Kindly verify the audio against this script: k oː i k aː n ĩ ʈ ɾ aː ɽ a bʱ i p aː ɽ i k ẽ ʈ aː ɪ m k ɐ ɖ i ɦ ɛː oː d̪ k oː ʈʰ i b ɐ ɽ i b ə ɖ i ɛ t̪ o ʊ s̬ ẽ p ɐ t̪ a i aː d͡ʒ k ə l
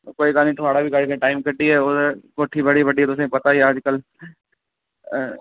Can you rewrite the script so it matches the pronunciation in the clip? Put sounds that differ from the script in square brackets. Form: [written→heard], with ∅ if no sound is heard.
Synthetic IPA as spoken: k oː i k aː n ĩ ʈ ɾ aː ɽ a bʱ i [p→k] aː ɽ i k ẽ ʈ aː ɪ m k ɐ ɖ i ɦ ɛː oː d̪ k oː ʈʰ i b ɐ ɽ i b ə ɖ i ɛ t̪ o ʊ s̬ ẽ p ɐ t̪ a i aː d͡ʒ k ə l